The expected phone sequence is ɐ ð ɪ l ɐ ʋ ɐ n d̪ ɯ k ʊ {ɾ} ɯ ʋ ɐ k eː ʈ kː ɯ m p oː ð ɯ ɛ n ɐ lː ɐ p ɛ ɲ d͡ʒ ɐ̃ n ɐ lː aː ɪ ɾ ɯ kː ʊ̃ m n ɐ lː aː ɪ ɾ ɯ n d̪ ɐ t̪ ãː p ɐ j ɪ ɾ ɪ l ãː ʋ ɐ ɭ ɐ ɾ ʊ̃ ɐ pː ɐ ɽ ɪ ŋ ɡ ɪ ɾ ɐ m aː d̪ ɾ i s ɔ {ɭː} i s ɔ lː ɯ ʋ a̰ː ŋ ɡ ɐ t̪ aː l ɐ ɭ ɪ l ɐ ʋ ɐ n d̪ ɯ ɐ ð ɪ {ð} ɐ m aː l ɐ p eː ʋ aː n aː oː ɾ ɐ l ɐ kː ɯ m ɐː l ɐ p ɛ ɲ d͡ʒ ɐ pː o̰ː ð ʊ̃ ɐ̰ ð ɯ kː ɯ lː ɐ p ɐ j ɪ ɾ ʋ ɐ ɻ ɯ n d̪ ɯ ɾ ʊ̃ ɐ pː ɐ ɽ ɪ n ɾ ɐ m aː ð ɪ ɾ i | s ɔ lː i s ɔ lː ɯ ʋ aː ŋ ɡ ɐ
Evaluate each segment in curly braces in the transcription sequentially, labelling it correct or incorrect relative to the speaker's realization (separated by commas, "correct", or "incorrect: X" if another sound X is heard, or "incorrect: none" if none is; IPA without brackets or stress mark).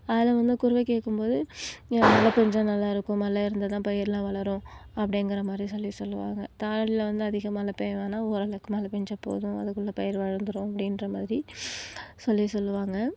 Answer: correct, incorrect: lː, incorrect: ɣ